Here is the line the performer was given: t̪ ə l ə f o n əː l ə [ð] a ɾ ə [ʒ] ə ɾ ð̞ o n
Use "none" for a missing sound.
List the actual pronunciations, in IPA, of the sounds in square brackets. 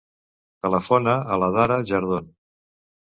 ð, ʒ

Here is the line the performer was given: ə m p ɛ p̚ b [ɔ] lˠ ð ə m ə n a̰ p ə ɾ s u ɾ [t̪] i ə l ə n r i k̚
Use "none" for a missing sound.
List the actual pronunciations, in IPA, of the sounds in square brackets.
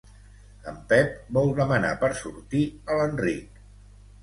ɔ, t̪

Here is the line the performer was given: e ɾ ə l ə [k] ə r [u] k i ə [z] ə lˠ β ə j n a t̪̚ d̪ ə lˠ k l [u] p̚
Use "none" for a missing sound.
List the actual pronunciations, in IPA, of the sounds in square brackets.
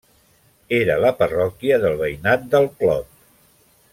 p, ɔ, ð, ɔ

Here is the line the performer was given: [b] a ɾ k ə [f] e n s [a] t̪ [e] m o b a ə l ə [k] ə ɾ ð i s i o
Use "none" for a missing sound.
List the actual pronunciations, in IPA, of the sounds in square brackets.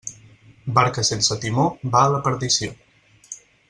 b, s, ə, i, p

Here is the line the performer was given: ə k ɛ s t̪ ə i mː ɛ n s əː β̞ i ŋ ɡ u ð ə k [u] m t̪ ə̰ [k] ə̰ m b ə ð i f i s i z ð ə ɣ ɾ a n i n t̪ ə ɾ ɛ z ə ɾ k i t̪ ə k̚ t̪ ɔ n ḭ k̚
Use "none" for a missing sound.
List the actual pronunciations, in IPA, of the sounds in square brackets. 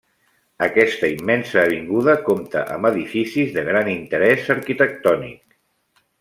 o, ʔ

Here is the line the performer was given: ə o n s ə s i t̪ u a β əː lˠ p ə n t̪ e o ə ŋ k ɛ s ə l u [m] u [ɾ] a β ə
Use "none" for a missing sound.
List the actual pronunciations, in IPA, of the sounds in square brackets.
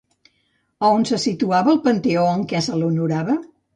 n, ɾ

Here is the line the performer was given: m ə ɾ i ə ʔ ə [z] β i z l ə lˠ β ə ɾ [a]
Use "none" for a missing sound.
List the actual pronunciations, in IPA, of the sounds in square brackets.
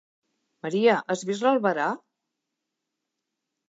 z, a

